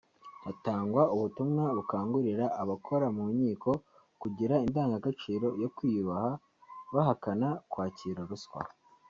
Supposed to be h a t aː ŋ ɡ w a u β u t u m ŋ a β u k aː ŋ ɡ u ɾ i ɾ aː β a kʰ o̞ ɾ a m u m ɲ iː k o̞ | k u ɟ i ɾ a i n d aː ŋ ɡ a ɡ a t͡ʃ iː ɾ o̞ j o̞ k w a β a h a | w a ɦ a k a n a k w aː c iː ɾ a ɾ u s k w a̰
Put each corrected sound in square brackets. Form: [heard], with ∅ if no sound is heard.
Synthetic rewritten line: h a t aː ŋ ɡ w a u β u t u m ŋ a β u k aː ŋ ɡ u ɾ i ɾ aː β a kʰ o̞ ɾ a m u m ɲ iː k o̞ | k u ɟ i ɾ a i n d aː ŋ ɡ a ɡ a t͡ʃ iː ɾ o̞ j o̞ k w [i] β a h a | [β] a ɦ a k a n a k w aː c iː ɾ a ɾ u s k w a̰